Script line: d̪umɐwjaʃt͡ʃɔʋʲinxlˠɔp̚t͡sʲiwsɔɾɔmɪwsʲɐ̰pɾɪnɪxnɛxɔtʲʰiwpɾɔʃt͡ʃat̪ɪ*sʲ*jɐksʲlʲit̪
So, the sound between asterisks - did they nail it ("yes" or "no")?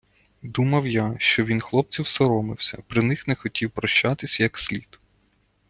yes